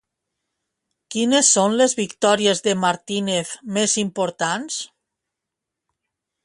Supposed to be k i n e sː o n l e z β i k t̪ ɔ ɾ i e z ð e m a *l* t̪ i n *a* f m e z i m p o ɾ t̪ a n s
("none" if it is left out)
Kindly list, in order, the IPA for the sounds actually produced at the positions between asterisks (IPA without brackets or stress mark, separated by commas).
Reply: ɾ, e